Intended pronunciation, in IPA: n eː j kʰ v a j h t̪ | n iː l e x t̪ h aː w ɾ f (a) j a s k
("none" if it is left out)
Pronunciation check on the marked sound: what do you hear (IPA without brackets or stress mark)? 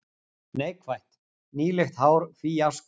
i